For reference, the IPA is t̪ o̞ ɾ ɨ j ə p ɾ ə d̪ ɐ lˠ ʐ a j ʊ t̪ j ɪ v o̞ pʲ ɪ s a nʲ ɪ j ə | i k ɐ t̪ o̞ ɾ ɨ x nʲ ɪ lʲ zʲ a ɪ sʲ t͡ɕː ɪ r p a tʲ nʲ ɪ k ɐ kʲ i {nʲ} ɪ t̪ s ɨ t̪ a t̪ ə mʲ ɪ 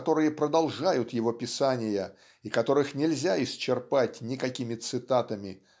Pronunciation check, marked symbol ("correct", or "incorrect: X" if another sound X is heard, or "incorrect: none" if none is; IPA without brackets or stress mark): incorrect: mʲ